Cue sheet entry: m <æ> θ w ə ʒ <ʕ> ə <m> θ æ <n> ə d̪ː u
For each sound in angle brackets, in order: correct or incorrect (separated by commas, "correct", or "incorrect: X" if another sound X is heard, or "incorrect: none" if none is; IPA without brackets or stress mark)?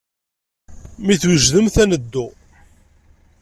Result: incorrect: i, incorrect: ð, correct, correct